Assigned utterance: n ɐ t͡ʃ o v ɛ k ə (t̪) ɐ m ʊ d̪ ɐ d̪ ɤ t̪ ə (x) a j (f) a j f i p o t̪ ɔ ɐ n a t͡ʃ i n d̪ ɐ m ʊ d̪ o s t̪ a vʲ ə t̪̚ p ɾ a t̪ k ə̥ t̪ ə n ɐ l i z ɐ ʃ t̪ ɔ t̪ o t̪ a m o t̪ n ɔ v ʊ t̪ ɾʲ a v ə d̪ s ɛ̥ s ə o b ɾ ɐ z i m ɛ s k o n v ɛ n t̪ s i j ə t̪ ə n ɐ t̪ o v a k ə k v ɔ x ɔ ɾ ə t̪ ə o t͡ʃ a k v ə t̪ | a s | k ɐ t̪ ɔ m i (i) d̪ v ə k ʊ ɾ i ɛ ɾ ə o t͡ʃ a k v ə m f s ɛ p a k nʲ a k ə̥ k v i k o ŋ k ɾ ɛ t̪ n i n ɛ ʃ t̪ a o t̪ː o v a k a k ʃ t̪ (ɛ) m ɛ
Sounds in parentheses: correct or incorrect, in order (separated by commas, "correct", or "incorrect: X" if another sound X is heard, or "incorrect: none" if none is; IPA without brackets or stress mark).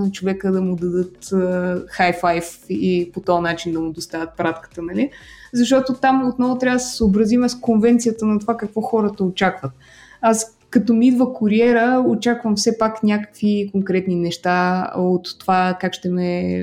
incorrect: d̪, correct, correct, correct, correct